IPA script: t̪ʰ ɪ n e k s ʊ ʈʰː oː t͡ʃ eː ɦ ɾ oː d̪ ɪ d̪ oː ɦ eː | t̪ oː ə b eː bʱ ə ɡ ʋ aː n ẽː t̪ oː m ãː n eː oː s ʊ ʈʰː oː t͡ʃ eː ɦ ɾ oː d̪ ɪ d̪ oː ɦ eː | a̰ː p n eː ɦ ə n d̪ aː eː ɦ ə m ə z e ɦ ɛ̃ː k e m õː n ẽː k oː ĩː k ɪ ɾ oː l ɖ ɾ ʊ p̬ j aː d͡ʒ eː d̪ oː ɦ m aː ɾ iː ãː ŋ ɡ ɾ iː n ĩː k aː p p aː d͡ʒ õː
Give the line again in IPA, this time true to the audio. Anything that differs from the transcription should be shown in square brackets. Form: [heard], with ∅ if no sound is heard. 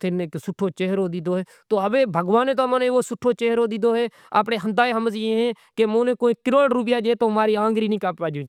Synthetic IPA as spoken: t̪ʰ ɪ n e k s ʊ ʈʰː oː t͡ʃ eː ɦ ɾ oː d̪ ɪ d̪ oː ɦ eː | t̪ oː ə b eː bʱ ə ɡ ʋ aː n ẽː t̪ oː m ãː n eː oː s ʊ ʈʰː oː t͡ʃ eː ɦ ɾ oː d̪ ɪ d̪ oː ɦ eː | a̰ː p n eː ɦ ə n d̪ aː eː ɦ ə m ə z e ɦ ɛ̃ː k e m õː n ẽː k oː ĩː k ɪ ɾ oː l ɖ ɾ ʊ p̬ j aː d͡ʒ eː [t̪] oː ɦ m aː ɾ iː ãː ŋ ɡ ɾ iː n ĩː k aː p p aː d͡ʒ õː